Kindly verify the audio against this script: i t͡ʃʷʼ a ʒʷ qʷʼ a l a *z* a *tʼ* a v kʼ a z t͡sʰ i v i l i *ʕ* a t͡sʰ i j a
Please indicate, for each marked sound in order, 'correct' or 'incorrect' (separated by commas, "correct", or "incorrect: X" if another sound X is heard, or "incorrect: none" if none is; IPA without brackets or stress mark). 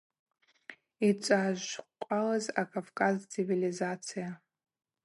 correct, incorrect: kʼ, incorrect: z